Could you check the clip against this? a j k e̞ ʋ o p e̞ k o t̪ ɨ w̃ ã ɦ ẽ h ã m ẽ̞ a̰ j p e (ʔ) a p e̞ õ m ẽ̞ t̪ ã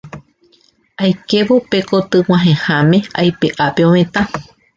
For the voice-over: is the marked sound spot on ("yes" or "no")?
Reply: yes